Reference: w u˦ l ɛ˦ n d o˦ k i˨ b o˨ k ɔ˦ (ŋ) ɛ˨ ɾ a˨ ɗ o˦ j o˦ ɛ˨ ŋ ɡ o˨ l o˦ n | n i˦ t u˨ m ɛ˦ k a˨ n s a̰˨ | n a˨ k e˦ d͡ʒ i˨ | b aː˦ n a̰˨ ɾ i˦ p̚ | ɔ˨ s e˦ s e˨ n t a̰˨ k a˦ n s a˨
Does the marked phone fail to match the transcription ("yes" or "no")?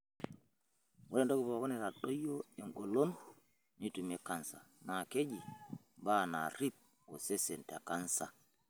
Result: yes